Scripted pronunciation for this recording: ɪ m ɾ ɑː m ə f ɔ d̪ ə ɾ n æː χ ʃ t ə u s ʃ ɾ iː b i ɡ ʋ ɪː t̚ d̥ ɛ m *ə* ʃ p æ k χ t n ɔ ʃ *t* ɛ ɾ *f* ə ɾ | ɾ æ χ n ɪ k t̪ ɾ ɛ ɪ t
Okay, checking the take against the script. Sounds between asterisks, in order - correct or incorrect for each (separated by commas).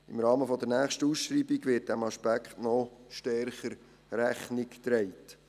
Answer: incorrect, correct, incorrect